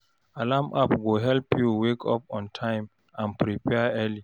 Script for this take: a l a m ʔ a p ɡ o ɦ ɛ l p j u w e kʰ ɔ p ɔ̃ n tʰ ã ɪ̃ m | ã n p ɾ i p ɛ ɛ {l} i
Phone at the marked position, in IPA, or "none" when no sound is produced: l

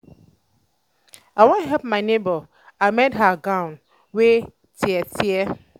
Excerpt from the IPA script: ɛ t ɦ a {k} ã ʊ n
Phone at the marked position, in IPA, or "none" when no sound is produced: ɡ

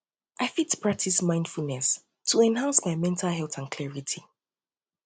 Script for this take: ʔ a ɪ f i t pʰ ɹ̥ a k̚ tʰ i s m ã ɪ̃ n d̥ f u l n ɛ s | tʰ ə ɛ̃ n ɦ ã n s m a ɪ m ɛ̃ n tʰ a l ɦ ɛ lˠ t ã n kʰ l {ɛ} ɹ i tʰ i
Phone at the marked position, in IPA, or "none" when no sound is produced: ɛ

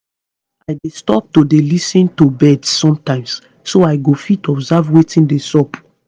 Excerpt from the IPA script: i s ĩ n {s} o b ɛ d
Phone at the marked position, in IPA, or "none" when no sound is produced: t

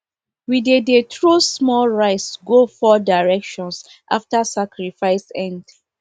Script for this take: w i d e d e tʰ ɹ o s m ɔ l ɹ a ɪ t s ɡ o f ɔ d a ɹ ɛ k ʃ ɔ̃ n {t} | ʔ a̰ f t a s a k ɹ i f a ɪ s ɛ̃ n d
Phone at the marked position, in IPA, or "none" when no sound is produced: s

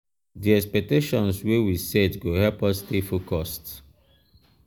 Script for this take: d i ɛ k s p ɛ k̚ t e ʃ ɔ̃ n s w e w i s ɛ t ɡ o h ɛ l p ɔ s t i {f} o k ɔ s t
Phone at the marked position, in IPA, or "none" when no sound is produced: f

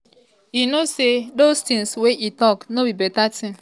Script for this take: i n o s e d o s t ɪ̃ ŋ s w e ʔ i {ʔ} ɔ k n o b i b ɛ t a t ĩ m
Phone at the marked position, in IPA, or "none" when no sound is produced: t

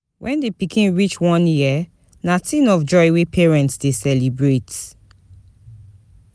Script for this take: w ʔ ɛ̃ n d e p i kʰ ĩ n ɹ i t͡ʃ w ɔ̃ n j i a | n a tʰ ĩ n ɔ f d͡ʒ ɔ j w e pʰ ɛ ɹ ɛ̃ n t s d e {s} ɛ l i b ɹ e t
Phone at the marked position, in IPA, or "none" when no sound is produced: s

